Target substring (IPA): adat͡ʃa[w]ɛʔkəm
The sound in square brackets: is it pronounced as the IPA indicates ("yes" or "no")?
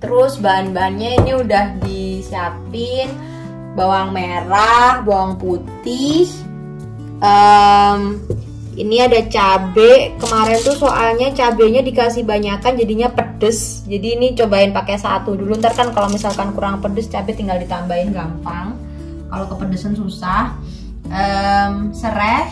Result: no